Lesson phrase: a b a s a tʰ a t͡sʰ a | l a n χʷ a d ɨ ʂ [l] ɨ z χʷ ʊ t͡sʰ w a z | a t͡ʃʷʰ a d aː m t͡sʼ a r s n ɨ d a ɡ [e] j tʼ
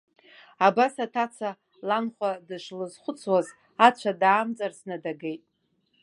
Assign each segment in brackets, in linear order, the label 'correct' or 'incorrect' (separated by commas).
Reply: correct, correct